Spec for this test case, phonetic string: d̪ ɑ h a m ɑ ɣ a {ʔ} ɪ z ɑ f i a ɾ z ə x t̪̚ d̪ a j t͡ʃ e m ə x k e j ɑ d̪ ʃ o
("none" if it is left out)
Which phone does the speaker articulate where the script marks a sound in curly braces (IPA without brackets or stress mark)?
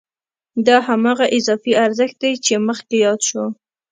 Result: ʔ